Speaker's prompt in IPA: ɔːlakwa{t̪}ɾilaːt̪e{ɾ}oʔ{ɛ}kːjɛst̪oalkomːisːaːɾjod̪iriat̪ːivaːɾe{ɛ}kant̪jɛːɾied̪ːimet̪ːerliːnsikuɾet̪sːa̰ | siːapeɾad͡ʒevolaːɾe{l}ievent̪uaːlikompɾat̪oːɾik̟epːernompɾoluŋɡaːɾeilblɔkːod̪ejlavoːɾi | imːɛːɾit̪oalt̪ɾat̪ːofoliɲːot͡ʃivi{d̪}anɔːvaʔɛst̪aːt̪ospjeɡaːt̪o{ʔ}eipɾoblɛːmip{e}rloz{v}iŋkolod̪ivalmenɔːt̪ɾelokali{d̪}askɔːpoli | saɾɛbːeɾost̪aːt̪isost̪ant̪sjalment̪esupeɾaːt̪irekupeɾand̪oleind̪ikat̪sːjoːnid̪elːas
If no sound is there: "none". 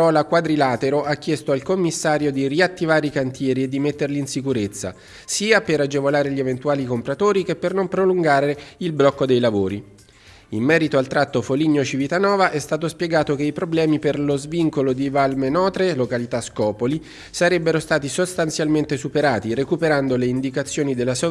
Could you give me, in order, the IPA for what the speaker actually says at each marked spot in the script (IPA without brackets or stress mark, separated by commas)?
d̪, ɾ, a, i, ʎ, t̪, k, e, v, t̪